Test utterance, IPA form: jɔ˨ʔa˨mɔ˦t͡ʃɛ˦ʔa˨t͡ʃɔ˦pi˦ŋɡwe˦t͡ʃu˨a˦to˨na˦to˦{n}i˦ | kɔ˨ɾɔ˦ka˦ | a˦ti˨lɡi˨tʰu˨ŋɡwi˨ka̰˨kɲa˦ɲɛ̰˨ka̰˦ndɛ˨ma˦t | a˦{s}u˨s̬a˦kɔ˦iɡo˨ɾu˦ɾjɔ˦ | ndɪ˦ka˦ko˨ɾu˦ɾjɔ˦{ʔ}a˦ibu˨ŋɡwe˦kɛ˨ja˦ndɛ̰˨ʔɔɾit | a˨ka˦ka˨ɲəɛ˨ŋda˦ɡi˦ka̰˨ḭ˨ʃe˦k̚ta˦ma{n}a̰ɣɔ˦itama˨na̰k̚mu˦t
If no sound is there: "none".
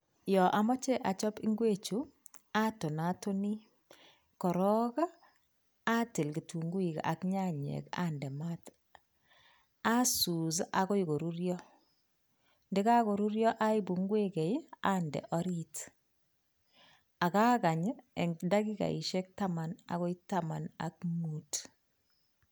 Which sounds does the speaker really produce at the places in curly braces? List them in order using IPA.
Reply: n, s, ʔ, n

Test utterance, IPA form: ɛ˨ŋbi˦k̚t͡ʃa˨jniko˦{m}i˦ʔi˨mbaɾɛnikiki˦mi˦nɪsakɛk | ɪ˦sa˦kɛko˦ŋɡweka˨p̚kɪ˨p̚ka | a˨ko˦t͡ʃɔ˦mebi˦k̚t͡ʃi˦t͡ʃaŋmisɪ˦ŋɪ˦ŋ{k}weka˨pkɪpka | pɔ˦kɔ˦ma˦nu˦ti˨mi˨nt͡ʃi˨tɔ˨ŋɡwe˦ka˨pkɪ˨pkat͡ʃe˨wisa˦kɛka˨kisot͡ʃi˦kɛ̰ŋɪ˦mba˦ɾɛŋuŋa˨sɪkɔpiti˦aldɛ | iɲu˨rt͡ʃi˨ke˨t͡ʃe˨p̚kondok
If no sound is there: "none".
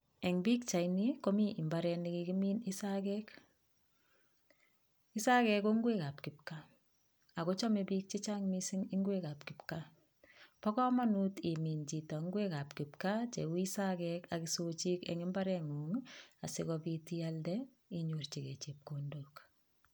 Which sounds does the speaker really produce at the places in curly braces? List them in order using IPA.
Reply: m, ɡ

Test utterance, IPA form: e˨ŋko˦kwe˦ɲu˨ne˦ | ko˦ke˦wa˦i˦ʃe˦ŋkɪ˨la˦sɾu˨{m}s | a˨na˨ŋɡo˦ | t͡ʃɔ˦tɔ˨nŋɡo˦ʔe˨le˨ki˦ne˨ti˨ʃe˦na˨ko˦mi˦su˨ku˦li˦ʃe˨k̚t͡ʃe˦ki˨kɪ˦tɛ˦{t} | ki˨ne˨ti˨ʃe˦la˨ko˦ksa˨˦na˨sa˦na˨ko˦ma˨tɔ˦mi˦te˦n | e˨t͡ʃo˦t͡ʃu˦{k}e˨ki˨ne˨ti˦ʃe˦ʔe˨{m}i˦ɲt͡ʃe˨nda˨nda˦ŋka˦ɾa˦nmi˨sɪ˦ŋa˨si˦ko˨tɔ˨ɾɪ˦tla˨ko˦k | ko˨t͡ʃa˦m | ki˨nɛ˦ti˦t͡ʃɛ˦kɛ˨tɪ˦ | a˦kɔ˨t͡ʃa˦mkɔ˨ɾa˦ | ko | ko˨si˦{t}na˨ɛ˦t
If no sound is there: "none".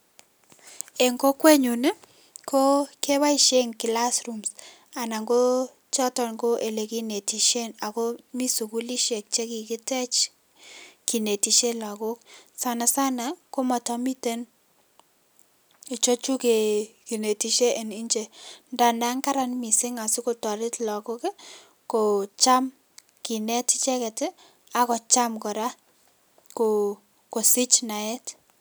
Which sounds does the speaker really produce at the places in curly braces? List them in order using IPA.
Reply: m, t͡ʃ, k, n, t͡ʃ

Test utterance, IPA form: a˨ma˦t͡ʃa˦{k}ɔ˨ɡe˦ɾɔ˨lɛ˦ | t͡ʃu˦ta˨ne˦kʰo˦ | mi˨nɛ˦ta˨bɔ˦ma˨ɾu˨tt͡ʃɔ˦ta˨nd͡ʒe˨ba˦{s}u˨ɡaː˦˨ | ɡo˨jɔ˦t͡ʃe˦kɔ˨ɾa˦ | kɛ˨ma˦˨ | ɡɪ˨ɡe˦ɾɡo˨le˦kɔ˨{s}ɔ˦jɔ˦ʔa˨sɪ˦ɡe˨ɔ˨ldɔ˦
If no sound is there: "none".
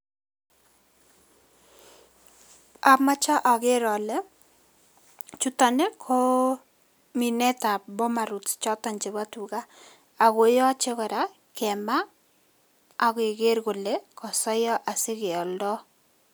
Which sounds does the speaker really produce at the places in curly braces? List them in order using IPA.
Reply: ʔ, t, s

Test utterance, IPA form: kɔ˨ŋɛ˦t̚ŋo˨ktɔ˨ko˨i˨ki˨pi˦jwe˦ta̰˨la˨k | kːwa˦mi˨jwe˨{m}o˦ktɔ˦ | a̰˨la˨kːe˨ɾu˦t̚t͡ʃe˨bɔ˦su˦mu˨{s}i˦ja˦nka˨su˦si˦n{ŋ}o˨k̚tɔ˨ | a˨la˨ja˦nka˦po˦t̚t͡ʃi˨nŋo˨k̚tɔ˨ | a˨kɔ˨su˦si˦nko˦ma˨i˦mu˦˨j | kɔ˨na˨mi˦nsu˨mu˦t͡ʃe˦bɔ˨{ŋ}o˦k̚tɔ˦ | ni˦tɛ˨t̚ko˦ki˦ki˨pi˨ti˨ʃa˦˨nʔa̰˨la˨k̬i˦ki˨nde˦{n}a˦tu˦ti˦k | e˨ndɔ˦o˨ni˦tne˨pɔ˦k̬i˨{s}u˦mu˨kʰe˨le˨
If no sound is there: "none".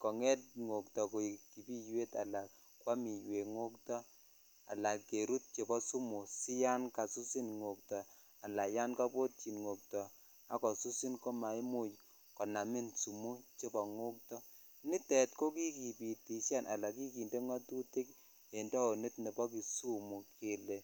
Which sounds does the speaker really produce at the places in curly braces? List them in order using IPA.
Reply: ŋ, s, ŋ, ŋ, ŋ, s

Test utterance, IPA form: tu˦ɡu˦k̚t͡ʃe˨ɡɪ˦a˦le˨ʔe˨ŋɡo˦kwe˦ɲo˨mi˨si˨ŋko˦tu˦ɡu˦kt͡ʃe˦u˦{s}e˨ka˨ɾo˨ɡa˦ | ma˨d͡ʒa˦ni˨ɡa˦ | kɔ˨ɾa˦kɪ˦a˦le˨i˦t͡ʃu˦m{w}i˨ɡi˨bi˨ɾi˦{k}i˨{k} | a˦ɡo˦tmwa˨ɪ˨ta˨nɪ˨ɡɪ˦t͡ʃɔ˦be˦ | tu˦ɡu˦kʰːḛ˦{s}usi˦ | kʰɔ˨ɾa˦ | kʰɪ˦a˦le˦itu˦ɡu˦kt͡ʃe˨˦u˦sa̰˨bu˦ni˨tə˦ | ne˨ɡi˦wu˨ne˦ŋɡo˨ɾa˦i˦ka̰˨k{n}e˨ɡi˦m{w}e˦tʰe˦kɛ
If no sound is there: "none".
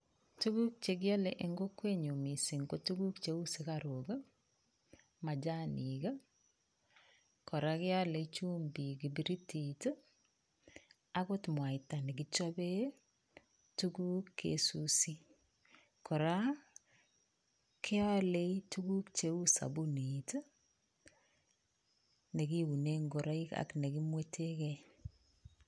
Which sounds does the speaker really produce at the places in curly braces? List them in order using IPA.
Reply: s, b, t, t, s, n, w

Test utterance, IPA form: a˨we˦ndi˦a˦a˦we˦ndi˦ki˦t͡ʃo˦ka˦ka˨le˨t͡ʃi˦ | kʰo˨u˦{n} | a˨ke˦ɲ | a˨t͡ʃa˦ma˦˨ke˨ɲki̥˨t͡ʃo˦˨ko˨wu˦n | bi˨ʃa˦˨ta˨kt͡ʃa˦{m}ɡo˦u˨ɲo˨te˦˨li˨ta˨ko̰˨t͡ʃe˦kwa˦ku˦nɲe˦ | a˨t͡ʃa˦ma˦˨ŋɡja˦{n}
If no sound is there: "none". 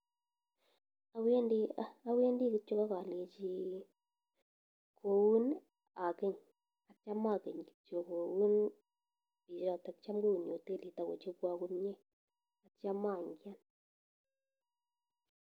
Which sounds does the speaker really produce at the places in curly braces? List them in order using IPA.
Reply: n, m, n

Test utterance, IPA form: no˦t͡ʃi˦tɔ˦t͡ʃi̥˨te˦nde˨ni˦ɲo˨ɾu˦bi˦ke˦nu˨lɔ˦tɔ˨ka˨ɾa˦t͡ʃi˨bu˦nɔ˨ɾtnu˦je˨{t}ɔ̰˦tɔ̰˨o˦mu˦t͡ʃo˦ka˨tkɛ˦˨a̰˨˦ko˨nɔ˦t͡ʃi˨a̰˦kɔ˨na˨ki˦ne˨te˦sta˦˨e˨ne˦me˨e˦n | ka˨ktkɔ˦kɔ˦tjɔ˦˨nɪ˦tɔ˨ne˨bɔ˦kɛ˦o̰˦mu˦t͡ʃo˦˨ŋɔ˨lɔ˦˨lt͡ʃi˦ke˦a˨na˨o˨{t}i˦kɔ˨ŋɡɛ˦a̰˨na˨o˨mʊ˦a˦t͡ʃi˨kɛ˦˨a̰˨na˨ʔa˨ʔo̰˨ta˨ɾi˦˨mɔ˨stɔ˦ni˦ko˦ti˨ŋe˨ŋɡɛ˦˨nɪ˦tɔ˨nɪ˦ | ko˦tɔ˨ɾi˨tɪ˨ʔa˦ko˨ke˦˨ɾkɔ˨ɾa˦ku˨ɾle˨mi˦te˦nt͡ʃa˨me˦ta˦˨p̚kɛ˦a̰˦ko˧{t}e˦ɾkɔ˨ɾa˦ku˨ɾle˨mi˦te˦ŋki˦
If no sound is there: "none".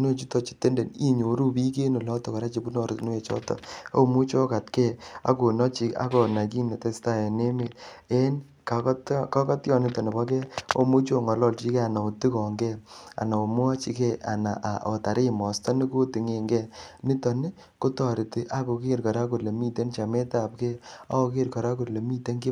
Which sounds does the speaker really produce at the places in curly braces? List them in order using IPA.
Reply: t͡ʃ, t, k

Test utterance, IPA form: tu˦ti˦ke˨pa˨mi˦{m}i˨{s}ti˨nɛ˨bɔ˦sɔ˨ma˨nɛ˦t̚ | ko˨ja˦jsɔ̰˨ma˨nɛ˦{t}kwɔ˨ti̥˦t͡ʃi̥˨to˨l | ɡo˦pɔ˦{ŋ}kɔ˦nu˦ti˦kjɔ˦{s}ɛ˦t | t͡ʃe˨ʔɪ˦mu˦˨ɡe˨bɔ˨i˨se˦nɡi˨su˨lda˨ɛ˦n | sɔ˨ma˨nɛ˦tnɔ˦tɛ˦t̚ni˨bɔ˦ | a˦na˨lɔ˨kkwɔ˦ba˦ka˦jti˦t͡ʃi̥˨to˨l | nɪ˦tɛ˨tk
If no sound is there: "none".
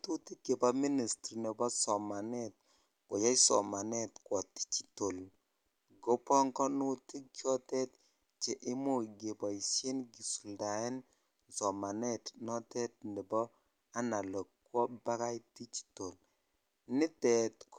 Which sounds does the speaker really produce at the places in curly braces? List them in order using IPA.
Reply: n, s, t, ŋ, t

